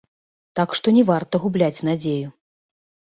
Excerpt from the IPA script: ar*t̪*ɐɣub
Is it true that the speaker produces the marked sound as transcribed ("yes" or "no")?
yes